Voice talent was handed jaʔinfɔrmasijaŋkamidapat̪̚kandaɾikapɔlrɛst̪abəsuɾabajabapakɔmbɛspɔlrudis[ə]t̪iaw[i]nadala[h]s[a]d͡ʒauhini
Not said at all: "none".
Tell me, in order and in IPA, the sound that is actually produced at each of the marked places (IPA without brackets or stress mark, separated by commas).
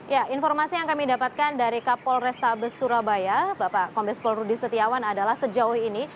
ə, a, h, ə